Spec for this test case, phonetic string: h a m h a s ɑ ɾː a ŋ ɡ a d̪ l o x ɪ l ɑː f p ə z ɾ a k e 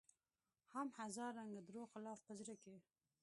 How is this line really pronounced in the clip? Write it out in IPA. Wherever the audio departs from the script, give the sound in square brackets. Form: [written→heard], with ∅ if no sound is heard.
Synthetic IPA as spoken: h a m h a [s→z] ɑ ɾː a ŋ ɡ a d̪ [l→ɾ] o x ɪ l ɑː f p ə z ɾ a k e

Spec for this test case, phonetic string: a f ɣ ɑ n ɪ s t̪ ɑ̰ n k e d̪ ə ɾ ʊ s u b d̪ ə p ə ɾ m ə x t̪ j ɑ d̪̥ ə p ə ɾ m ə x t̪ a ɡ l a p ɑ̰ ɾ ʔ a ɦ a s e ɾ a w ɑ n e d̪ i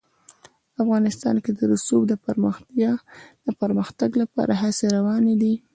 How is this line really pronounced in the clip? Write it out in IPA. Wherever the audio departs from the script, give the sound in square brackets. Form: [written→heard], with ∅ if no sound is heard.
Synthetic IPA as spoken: a f ɣ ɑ n ɪ s t̪ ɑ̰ n k e d̪ ə ɾ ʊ s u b d̪ ə p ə ɾ m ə x t̪ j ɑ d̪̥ ə p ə ɾ m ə x t̪ a ɡ l a p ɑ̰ ɾ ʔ a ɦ a s e ɾ a w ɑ n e d̪ i

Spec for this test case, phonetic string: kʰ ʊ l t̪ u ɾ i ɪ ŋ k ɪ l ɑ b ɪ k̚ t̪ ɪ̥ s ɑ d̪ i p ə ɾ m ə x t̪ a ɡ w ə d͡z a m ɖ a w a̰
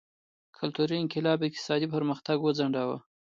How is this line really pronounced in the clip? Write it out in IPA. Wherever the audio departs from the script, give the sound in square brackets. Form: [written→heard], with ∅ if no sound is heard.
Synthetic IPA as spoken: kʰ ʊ l t̪ u ɾ i ɪ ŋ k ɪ l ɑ b ɪ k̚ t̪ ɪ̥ s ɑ d̪ i p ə ɾ m ə x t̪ a ɡ w ə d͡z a [m→ɳ] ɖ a w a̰

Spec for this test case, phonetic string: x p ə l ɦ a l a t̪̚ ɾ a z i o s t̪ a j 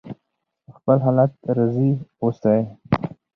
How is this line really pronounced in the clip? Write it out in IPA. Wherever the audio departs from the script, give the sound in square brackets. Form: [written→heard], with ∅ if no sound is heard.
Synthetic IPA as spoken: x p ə l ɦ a l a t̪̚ ɾ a z i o s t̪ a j

